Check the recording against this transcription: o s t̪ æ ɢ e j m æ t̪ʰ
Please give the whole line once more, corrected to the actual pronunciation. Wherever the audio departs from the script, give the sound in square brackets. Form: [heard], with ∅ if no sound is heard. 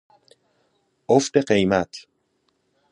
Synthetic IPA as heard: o [f] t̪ [e] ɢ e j m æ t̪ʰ